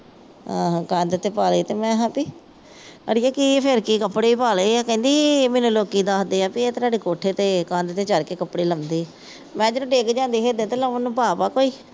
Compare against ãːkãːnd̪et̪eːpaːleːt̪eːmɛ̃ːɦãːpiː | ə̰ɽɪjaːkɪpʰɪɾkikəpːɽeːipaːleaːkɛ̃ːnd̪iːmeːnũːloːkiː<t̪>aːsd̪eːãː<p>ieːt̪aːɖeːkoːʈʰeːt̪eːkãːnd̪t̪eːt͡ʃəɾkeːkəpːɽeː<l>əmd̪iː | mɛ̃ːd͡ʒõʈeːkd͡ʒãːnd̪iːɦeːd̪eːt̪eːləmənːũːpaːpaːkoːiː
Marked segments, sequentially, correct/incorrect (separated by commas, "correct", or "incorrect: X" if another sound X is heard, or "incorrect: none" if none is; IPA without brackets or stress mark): incorrect: d̪, correct, correct